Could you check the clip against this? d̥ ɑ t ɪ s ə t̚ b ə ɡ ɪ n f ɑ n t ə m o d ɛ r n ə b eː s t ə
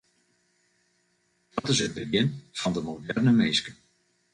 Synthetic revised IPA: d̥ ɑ t ɪ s ə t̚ b ə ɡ ɪ n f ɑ n d ə m o d ɛ r n ə m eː s k ə